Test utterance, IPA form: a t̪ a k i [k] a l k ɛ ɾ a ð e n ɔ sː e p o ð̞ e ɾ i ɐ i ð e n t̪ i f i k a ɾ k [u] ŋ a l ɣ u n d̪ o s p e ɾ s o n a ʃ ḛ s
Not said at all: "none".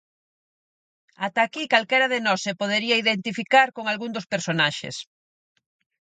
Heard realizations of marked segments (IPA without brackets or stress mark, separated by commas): k, o